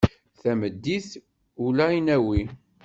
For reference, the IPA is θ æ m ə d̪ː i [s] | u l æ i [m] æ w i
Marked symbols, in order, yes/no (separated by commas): no, no